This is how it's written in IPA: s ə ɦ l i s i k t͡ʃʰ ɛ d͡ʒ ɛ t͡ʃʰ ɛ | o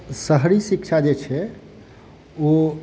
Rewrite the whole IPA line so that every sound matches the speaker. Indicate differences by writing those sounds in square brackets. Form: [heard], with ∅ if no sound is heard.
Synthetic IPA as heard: s ə ɦ [ɾ] i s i k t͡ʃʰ [a] d͡ʒ [e] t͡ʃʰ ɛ | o